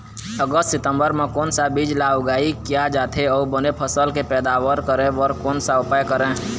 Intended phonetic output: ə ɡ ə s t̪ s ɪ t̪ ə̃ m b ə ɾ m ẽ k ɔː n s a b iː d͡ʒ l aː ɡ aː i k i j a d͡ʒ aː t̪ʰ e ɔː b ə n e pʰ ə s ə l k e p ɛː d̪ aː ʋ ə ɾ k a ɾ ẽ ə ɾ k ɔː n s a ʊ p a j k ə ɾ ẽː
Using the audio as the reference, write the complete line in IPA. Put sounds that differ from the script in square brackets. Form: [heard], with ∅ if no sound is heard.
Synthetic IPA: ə ɡ ə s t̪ s ɪ t̪ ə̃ m b ə ɾ m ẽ k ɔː n s a b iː d͡ʒ l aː ɡ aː i k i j a d͡ʒ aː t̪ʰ e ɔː b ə n e pʰ ə s ə l k e p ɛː d̪ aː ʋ ə ɾ k [ə] ɾ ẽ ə ɾ k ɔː n s a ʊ p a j k ə ɾ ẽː